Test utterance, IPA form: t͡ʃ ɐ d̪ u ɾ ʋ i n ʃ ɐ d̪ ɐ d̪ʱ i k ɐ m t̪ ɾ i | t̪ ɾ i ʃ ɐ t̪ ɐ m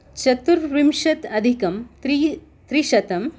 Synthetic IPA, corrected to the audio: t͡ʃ ɐ t̪ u ɾ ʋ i m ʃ ɐ t̪ ɐ d̪ʱ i k ɐ m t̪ ɾ i | t̪ ɾ i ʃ ɐ t̪ ɐ m